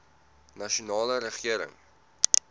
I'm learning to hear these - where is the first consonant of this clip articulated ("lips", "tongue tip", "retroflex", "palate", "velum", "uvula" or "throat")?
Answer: tongue tip